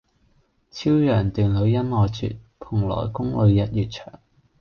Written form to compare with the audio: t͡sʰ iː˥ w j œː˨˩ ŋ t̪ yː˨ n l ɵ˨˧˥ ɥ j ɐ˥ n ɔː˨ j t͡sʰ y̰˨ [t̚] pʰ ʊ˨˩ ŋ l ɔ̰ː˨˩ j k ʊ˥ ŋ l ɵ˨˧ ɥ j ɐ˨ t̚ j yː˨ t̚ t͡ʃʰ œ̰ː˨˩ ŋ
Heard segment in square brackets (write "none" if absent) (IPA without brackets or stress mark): t̚